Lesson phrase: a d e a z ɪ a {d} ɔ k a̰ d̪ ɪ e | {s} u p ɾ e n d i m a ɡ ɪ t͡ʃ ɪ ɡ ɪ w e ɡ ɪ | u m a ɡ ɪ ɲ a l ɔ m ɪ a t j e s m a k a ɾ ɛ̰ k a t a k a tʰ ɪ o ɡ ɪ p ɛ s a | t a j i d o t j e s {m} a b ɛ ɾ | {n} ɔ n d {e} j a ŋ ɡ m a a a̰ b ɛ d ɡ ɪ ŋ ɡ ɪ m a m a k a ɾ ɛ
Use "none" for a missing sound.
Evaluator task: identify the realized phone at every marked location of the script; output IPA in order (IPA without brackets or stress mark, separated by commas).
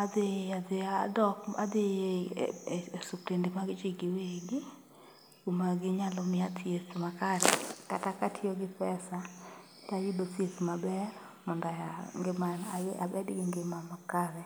d, s, m, m, a